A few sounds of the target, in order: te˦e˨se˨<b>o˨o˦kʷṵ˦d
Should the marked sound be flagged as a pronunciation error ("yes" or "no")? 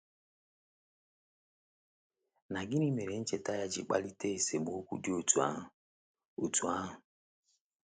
yes